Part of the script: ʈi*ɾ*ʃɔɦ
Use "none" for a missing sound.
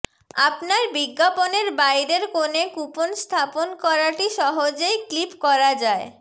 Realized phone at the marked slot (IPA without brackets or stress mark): none